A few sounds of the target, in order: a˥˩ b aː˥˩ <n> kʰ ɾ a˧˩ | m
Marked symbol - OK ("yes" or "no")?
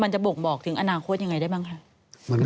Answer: no